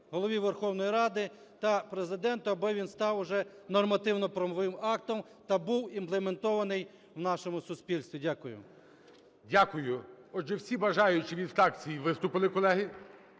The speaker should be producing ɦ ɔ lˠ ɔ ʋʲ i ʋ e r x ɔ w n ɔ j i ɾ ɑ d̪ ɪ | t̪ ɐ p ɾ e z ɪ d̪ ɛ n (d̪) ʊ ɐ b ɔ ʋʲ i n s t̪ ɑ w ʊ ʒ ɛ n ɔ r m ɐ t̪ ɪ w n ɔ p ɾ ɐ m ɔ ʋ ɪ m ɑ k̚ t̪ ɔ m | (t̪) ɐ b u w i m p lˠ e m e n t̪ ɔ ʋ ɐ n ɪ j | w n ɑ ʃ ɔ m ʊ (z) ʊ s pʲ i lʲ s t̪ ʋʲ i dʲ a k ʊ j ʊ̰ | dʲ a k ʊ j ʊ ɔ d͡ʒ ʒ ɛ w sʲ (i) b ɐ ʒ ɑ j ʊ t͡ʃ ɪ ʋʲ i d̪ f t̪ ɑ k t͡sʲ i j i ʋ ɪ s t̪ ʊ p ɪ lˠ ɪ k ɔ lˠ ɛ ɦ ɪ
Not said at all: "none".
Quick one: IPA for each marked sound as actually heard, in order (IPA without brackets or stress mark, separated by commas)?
t̪, t̪, s, i